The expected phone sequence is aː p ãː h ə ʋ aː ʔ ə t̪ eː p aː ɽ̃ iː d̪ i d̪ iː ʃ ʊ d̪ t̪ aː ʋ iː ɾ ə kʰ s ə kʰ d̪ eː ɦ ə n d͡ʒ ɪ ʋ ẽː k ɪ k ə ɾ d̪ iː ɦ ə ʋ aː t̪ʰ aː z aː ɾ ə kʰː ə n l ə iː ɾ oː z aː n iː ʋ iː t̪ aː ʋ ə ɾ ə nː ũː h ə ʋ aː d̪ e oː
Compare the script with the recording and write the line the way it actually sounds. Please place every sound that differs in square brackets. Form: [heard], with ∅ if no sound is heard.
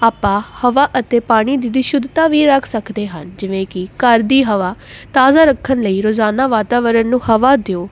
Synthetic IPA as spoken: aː p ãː h ə ʋ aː ʔ ə t̪ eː p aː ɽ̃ iː d̪ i d̪ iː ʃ ʊ d̪ t̪ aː ʋ iː ɾ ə kʰ s ə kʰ d̪ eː ɦ ə n d͡ʒ ɪ ʋ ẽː k ɪ k ə ɾ d̪ iː ɦ ə ʋ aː [t̪] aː z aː ɾ ə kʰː ə n l ə iː ɾ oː z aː n [aː] ʋ [aː] t̪ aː ʋ ə ɾ ə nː ũː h ə ʋ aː d̪ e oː